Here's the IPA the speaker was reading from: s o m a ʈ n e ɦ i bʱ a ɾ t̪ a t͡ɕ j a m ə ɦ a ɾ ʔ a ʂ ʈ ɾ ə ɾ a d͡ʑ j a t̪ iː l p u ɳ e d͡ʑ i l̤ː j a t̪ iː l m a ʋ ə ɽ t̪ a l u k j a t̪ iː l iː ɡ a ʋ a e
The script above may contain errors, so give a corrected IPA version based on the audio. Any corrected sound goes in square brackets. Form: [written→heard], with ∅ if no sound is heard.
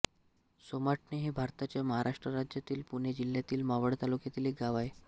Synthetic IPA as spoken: s o m a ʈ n e ɦ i bʱ a ɾ t̪ a t͡ɕ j a m ə ɦ a ɾ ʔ a ʂ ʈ ɾ ə ɾ a d͡ʑ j a t̪ iː l p u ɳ e d͡ʑ i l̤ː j a t̪ iː l m a ʋ ə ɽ t̪ a l u k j a t̪ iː l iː ɡ a ʋ a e

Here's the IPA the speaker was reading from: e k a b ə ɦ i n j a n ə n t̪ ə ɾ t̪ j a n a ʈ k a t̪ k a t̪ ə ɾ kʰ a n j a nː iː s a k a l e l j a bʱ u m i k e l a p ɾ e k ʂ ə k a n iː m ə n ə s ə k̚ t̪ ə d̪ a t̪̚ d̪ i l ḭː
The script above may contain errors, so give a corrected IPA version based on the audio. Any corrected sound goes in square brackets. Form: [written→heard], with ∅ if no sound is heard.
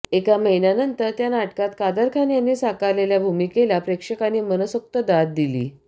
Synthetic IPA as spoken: e k a [b→m] ə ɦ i n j a n ə n t̪ ə ɾ t̪ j a n a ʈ k a t̪ k a [t̪→d̪] ə ɾ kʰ a n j a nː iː s a k a l e l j a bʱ u m i k e l a p ɾ e k ʂ ə k a n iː m ə n ə s ə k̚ t̪ ə d̪ a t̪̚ d̪ i l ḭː

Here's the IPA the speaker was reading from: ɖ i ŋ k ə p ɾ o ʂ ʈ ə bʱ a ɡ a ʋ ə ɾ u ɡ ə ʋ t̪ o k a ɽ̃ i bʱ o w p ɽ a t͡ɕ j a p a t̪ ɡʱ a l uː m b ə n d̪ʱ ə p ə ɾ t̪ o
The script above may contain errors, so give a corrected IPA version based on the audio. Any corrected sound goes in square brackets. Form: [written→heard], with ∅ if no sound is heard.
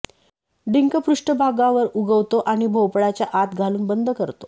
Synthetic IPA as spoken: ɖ i ŋ k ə p ɾ [o→u] ʂ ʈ ə bʱ a ɡ a ʋ ə ɾ u ɡ ə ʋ t̪ o [k→ʔ] a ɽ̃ i bʱ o w p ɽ a t͡ɕ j a [p→ʔ] a t̪ ɡʱ a l uː [m→n] b ə n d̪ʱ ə [p→k] ə ɾ t̪ o

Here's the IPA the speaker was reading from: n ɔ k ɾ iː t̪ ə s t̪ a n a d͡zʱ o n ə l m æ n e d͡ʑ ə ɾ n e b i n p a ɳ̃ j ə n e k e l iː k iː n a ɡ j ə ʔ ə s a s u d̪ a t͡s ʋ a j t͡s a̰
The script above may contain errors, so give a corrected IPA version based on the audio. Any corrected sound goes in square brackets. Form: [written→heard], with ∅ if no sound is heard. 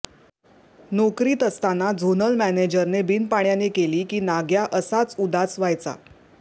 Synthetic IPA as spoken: n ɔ k ɾ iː t̪ ə s t̪ a n a d͡zʱ o n ə l m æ n e d͡ʑ ə ɾ n e b i n p a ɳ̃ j [ə→a] n e k e l iː k iː n a ɡ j [ə→a] ʔ ə s a [s→t͡s] u d̪ a t͡s ʋ a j t͡s a̰

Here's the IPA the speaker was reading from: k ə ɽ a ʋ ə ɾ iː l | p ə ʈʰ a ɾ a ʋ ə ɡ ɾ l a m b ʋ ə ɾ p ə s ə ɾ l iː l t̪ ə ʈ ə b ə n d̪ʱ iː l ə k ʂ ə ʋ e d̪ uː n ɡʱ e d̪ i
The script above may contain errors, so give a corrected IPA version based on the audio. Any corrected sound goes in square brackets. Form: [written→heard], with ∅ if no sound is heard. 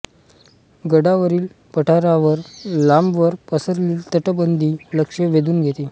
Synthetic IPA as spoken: [k→ɡ] ə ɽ a ʋ ə ɾ iː l | p ə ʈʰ a ɾ a ʋ ə [ɡ→∅] ɾ l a m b ʋ ə ɾ p ə s ə ɾ l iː l t̪ ə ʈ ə b ə n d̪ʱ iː l ə k ʂ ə ʋ e d̪ uː n ɡʱ e [d̪→t̪] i

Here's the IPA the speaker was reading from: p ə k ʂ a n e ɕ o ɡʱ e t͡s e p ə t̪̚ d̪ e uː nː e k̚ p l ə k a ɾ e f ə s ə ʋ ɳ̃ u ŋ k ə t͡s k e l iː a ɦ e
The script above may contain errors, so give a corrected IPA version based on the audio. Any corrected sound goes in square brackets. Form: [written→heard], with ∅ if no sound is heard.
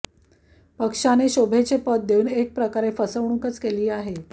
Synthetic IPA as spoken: p ə k ʂ a n e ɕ o [ɡʱ→bʱ] e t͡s e p ə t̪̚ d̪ e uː [nː→n] e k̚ p [l→ɾ] ə k a ɾ e f ə s ə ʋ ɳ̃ u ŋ k ə t͡s k e l iː a ɦ e

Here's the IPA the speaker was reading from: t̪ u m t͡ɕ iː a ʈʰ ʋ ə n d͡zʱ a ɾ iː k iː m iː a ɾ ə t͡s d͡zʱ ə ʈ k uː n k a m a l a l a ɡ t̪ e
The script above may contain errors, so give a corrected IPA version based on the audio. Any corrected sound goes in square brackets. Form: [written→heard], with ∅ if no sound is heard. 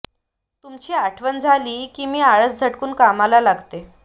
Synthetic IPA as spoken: t̪ u m t͡ɕ iː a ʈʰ ʋ ə n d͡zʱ a [ɾ→l] iː k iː m iː a [ɾ→ɭ] ə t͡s d͡zʱ ə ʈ k uː n k a m a l a l a ɡ t̪ e

